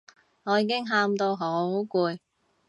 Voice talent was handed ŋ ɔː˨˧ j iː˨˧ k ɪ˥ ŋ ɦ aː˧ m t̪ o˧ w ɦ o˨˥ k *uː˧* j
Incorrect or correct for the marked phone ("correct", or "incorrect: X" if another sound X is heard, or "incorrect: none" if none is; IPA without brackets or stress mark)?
correct